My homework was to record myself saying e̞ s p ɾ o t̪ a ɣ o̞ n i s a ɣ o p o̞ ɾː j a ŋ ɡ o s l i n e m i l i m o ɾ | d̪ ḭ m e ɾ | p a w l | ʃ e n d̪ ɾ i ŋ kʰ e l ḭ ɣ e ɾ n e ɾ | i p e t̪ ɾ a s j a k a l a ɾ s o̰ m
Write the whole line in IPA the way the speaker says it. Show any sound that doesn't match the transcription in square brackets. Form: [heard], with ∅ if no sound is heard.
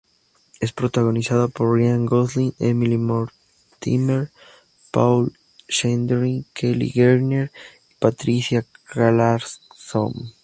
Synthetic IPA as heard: e̞ s p ɾ o t̪ a ɣ o̞ n i s a [ð] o p o̞ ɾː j a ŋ ɡ o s l i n e m i l i m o ɾ | [t̪] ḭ m e ɾ | p a w l | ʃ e n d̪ ɾ i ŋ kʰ e l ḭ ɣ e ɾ n e ɾ | i p [a] t̪ ɾ [i] s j a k a l a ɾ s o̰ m